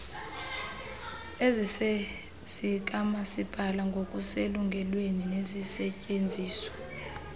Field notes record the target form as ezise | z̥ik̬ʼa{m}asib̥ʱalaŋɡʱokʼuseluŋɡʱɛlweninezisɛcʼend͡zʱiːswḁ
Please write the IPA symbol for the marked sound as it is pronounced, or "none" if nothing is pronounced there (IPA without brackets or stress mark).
m